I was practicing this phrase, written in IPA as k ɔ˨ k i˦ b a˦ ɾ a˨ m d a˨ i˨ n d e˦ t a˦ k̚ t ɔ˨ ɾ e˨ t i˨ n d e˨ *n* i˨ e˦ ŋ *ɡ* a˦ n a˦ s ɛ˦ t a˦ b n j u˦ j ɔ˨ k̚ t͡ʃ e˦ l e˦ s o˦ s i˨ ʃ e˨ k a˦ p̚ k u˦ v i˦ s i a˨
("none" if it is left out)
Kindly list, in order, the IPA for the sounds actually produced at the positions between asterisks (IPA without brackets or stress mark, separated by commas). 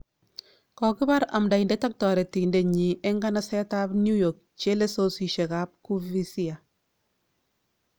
ɲ, ɡ